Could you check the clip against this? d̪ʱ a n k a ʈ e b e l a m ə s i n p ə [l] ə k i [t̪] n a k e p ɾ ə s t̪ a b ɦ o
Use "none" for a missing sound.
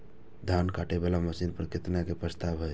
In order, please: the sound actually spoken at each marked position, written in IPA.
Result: ɾ, t̪

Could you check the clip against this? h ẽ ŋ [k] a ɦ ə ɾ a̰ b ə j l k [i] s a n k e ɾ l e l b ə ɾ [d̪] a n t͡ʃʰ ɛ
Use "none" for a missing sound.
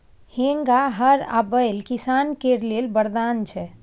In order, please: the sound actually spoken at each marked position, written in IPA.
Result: ɡ, i, d̪

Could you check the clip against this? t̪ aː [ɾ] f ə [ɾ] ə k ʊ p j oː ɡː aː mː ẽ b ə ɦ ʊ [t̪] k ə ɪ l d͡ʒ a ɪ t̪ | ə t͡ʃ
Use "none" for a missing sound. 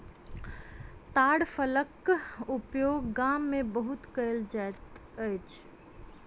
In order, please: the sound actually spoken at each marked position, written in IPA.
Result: ɽ, l, t̪

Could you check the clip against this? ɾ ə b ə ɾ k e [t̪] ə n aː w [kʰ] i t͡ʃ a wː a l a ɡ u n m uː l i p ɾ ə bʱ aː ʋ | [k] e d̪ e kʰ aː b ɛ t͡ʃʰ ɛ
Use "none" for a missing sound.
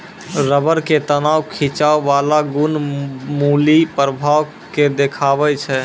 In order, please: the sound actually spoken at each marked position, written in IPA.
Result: t̪, kʰ, k

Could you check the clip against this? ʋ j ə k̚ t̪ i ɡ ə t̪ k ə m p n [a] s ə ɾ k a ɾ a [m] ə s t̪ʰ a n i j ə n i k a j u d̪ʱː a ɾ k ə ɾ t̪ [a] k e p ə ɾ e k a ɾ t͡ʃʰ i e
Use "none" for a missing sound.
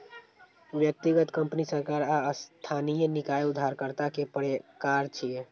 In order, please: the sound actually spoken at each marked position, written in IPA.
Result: i, none, a

